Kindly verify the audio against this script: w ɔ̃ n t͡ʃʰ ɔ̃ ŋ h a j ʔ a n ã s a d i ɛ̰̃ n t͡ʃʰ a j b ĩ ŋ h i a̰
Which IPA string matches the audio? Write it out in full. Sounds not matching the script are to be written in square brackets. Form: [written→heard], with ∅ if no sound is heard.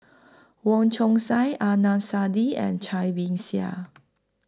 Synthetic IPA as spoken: w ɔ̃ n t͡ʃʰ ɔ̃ ŋ [h→s] a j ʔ a n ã s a d i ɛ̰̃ n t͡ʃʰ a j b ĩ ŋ [h→s] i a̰